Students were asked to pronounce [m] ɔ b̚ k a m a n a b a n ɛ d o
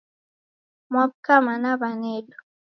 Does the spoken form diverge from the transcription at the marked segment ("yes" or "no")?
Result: no